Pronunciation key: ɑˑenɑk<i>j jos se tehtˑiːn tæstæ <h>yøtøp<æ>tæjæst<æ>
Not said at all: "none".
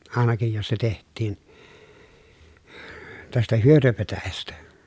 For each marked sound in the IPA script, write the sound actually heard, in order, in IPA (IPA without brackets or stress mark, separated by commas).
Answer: i, h, e, æ